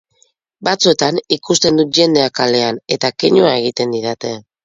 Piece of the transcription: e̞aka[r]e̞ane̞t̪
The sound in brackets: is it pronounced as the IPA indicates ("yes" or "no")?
no